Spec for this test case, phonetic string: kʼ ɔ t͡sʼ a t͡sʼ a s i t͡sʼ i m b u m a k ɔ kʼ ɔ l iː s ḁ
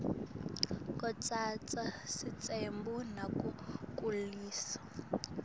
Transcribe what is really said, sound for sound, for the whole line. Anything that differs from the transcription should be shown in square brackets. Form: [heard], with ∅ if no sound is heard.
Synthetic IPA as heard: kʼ ɔ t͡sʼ a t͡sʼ a s i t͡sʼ [e] m b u [n] a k [u] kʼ [u] l iː s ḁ